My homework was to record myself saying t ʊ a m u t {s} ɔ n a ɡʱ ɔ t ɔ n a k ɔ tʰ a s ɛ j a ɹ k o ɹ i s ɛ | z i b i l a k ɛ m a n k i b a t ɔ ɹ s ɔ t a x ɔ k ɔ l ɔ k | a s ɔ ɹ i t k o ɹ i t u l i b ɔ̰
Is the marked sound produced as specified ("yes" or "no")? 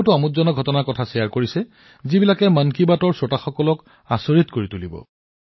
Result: no